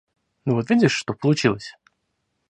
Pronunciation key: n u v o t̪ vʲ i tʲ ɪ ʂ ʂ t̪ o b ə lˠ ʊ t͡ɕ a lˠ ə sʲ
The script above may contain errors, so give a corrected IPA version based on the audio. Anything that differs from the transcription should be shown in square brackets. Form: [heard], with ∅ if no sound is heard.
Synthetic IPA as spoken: n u v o t̪ vʲ i [dʲ] ɪ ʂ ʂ t̪ o [p] ə lˠ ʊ t͡ɕ [i] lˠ ə sʲ

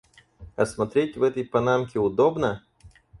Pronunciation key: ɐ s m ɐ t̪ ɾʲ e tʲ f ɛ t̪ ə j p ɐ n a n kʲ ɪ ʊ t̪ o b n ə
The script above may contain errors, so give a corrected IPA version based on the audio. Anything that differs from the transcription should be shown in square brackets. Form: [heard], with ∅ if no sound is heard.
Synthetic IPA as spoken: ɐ s m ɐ t̪ ɾʲ e tʲ [v] ɛ t̪ ə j p ɐ n a [m] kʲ ɪ ʊ [d̪] o b n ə

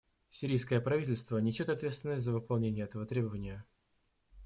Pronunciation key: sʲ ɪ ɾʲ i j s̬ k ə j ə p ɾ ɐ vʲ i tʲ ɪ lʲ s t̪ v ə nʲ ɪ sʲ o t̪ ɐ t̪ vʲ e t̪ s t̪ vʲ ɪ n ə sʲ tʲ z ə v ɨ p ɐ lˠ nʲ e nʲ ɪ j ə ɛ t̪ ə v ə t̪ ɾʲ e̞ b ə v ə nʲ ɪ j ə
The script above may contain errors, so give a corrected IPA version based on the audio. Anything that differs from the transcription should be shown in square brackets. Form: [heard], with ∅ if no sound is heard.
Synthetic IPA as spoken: sʲ ɪ ɾʲ i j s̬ k ə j ə p ɾ ɐ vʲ i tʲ ɪ lʲ s t̪ v ə nʲ ɪ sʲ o t̪ ɐ t̪ vʲ e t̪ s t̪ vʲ ɪ n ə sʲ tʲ z ə v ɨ p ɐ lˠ nʲ e nʲ ɪ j ə ɛ t̪ ə v ə t̪ ɾʲ e̞ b ə v ə nʲ ɪ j ə

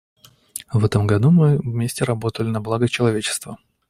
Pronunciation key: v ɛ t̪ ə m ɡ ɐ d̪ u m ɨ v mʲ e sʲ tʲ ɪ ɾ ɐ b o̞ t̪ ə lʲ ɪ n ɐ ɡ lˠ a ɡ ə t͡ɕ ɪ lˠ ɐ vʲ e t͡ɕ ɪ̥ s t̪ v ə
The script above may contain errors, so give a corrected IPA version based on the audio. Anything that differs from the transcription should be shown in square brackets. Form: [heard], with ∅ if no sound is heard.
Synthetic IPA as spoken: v ɛ t̪ ə m ɡ ɐ d̪ u m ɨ v mʲ e sʲ tʲ ɪ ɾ ɐ b o̞ t̪ ə lʲ ɪ n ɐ [b] lˠ a ɡ ə t͡ɕ ɪ lˠ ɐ vʲ e t͡ɕ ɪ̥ s t̪ v ə

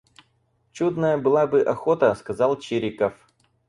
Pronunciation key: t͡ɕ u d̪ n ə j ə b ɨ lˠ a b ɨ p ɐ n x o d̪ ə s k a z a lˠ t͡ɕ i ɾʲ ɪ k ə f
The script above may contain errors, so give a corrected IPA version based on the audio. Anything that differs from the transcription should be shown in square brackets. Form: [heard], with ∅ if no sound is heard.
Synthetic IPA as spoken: t͡ɕ u d̪ n ə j ə b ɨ lˠ a b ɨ [ʔ] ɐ [∅] x o [t̪] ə s k [ɐ] z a lˠ t͡ɕ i ɾʲ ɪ k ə f

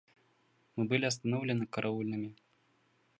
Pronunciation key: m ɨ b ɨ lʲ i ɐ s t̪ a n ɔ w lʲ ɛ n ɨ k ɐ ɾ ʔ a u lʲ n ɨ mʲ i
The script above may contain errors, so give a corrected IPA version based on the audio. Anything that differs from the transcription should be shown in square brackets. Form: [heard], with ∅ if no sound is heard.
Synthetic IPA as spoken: m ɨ b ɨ lʲ i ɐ s t̪ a n ɔ w lʲ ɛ n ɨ k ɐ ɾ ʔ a u lʲ n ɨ mʲ i

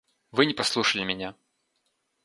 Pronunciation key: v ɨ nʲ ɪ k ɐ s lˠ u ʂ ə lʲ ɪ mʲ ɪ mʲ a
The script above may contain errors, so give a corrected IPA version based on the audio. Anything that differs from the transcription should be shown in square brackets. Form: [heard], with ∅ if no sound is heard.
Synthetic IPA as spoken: v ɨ nʲ ɪ [p] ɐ s lˠ u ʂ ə lʲ ɪ mʲ ɪ [nʲ] a

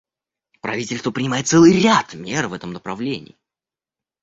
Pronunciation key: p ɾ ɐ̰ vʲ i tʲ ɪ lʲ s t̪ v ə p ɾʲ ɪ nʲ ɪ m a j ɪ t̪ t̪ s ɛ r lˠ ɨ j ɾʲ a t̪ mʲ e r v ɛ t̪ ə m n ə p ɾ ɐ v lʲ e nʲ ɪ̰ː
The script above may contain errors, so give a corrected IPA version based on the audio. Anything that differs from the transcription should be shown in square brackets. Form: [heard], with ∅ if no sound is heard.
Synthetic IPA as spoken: p ɾ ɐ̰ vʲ i tʲ ɪ lʲ s t̪ v ə p ɾʲ ɪ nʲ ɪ m a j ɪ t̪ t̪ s ɛ [∅] lˠ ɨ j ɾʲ a t̪ mʲ e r v ɛ t̪ ə m n ə p ɾ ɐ v lʲ e nʲ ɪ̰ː

